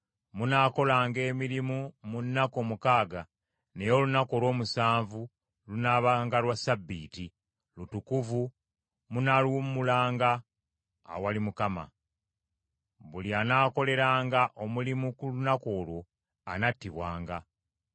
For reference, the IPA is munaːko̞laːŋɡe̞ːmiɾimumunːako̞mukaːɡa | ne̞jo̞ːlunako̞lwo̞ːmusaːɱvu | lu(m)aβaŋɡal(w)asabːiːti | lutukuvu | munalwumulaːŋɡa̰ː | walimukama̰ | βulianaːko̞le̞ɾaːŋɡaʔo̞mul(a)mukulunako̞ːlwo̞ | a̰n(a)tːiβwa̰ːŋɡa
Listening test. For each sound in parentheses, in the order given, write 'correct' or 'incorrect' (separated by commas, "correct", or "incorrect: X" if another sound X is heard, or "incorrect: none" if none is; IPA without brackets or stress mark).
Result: incorrect: n, correct, incorrect: i, correct